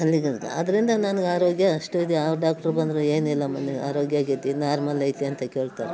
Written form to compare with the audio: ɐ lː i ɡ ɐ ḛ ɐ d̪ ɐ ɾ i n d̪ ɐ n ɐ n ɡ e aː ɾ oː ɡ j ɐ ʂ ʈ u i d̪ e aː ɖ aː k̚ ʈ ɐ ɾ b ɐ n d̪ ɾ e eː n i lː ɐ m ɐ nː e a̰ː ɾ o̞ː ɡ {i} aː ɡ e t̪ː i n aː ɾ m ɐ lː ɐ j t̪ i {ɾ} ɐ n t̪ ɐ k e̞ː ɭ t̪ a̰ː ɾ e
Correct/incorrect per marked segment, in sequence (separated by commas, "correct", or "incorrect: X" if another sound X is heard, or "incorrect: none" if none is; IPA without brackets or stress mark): incorrect: j, incorrect: none